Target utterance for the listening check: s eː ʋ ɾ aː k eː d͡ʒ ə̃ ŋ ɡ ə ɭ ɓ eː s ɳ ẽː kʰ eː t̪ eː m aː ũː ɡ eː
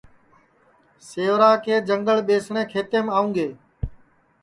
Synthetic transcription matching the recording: s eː ʋ ɾ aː k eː d͡ʒ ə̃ ŋ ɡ ə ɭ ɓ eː s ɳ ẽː kʰ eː t̪ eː m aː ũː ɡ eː